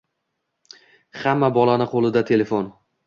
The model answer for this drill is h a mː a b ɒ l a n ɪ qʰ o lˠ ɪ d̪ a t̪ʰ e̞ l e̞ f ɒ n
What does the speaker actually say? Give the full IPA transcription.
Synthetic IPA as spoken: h a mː a b ɒ l a n ɪ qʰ o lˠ ɪ d̪ a t̪ʰ e̞ l e̞ f o n